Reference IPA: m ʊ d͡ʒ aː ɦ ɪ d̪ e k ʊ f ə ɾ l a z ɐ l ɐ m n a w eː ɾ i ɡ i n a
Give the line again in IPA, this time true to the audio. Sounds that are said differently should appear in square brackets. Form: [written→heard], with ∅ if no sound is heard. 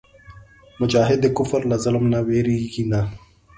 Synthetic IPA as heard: m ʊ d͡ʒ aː ɦ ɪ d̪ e k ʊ f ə ɾ l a z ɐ l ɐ m n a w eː ɾ i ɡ i n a